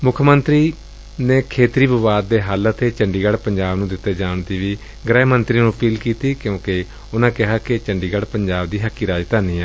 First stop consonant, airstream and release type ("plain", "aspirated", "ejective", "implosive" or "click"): aspirated